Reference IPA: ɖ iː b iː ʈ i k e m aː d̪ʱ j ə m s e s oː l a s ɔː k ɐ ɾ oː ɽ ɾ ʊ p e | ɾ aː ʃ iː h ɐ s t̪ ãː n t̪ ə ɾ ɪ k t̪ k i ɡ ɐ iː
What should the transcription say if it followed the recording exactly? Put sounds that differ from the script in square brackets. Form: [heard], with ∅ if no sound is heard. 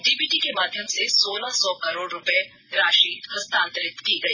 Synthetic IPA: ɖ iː b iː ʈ i k e m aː d̪ʱ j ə m s e s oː l a s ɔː k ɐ ɾ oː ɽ ɾ ʊ p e | ɾ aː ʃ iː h ɐ s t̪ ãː n t̪ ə ɾ ɪ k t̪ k i ɡ ɐ iː